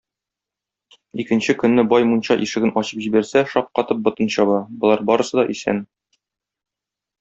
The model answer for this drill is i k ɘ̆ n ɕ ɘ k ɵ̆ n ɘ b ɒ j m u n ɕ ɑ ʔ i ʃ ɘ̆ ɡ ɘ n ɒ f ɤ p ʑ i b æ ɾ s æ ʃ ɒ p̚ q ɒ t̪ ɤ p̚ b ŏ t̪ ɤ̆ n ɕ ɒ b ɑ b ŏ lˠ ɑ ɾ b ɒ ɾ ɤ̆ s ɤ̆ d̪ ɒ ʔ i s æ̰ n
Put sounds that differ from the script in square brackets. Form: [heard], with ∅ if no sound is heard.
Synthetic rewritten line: i k ɘ̆ n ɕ ɘ k ɵ̆ [nː] ɘ b ɒ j m u n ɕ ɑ ʔ i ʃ ɘ̆ ɡ ɘ n ɒ [ɕ] ɤ p ʑ i b æ ɾ s æ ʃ ɒ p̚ q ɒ t̪ ɤ p̚ b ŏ t̪ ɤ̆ n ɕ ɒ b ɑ b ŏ lˠ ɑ ɾ b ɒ ɾ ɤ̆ s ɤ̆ d̪ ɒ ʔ i s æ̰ n